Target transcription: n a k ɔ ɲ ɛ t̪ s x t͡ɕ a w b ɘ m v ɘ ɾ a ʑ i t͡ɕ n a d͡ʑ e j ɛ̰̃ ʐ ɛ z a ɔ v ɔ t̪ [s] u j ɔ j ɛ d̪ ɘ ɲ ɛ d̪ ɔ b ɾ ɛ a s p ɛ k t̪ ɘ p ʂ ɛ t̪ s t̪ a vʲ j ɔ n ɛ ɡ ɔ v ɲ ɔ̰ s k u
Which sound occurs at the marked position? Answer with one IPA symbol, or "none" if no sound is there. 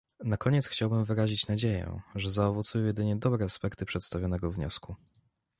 s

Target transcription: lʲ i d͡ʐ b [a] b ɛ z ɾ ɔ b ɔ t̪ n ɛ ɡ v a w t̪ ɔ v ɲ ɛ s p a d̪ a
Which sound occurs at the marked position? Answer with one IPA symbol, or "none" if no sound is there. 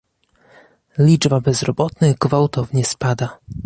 a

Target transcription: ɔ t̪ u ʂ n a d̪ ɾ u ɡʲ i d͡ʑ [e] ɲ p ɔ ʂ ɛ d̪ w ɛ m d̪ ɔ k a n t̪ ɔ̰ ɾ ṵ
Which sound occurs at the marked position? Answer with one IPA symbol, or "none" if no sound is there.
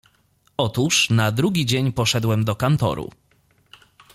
e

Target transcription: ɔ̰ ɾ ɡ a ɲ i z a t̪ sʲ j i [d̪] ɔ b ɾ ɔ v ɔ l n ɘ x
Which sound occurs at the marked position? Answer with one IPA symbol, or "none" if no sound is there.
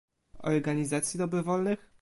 d̪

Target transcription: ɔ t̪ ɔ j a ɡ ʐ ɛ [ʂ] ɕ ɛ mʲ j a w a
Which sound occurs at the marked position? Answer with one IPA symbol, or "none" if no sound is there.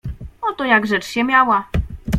t͡ʂ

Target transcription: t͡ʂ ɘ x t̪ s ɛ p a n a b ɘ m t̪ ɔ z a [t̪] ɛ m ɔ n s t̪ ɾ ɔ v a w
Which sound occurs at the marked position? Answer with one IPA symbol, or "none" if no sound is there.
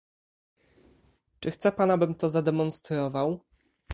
d̪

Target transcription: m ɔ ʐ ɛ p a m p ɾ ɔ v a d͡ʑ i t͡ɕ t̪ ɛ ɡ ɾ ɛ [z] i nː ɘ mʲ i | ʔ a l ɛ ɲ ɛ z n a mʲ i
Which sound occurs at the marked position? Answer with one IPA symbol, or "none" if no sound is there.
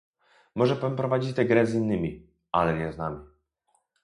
z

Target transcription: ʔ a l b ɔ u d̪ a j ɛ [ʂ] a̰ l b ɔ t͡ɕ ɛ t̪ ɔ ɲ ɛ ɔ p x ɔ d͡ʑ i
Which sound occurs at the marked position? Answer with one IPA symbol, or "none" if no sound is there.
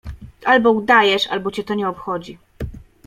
ʂ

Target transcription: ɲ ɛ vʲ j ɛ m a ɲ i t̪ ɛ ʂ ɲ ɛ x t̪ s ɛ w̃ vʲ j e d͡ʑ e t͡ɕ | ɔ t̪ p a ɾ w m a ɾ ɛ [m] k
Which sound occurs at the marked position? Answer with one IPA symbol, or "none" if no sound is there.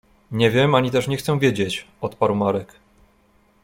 none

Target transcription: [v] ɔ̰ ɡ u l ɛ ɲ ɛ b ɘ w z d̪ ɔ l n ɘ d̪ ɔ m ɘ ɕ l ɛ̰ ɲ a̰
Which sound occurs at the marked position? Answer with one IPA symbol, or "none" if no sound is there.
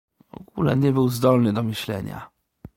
v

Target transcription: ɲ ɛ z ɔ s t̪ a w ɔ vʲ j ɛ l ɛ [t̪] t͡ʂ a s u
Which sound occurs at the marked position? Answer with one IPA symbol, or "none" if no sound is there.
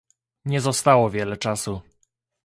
none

